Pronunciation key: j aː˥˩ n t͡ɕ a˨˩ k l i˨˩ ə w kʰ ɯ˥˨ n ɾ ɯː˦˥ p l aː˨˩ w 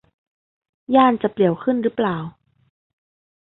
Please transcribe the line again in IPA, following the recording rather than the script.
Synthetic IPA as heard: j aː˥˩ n t͡ɕ a˨˩ p l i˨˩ ə w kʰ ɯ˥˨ n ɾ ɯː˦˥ p l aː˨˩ w